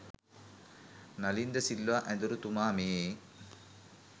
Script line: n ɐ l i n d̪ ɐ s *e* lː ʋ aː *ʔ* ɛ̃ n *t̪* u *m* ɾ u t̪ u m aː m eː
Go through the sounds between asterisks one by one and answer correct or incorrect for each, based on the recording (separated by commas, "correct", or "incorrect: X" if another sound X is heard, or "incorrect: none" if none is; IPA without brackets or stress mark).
incorrect: i, correct, incorrect: d̪, incorrect: none